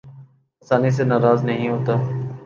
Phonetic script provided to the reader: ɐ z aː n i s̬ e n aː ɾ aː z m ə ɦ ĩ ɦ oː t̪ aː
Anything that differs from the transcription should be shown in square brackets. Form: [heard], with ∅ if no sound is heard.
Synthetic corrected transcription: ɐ [s] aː n i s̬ e n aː ɾ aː z [n] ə ɦ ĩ ɦ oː t̪ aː